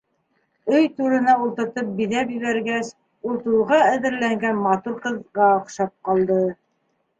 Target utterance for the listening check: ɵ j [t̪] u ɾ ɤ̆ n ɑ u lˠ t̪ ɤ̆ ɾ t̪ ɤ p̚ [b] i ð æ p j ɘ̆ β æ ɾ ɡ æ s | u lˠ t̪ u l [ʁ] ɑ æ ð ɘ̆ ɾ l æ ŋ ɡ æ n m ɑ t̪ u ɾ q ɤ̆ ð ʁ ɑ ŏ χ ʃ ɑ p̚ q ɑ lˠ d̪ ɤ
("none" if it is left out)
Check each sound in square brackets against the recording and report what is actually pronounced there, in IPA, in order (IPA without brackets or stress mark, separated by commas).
t̪, b, ʁ